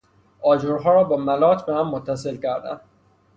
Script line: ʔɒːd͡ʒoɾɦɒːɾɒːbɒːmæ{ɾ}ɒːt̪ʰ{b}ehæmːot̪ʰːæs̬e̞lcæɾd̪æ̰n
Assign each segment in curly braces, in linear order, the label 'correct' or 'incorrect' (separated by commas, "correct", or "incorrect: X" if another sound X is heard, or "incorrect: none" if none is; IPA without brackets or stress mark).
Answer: incorrect: l, correct